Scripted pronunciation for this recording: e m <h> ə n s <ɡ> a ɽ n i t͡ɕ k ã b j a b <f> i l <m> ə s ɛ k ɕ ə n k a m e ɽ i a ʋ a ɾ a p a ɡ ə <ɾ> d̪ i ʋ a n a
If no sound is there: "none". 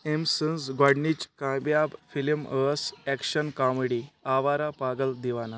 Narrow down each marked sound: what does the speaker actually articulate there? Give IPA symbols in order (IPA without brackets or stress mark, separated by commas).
s, ɡ, f, m, l